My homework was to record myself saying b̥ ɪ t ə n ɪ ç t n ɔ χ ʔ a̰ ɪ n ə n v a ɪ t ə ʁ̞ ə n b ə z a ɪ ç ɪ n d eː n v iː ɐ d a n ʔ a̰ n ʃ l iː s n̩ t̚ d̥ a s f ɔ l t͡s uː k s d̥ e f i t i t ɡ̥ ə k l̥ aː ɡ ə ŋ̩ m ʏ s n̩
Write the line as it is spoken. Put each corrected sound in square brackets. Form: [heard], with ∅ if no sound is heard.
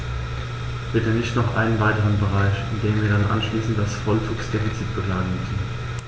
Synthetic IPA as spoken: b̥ ɪ t ə n ɪ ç t n ɔ χ ʔ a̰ ɪ n ə n v a ɪ t ə ʁ̞ ə n b ə [ʁ] a ɪ ç ɪ n d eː [m] v iː ɐ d a n ʔ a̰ n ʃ l iː s n̩ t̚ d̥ a s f ɔ l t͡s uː k s d̥ e f i [t͡s] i t [b̥] ə k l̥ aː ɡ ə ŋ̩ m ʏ s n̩